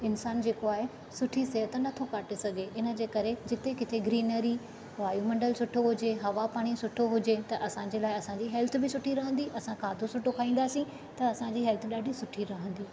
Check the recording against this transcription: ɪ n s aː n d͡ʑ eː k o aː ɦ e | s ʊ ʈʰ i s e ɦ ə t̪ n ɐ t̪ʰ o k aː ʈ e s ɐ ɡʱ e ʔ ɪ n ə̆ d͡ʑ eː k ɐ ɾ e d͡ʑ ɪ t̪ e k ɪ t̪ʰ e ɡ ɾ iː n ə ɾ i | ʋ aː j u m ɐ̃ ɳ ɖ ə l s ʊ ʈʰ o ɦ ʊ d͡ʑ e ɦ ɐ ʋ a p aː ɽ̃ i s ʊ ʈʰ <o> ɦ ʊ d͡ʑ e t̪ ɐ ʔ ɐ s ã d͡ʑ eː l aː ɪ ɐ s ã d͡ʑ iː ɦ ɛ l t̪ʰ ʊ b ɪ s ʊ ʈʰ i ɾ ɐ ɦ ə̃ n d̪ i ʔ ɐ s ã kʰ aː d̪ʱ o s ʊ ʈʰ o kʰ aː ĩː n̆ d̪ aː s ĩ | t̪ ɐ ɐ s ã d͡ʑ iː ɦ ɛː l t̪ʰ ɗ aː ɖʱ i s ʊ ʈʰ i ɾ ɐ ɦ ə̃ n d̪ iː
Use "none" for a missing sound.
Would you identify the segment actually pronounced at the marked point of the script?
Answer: o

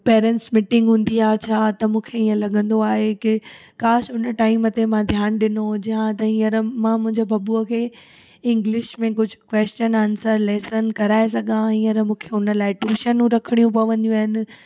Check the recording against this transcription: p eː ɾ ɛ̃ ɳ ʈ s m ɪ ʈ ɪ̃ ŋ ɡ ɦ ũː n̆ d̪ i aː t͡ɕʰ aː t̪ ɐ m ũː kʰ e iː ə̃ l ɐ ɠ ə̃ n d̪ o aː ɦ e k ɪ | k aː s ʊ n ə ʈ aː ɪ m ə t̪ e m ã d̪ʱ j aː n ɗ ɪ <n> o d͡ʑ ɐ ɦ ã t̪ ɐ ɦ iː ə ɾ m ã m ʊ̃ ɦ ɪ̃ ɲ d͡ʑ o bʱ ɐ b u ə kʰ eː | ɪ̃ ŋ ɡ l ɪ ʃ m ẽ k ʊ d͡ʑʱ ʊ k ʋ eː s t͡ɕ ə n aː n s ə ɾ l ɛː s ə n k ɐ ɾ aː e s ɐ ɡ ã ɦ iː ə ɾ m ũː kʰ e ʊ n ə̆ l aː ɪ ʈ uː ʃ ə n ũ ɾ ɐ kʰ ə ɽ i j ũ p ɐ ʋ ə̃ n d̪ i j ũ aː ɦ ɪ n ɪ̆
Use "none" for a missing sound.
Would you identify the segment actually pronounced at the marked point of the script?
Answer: n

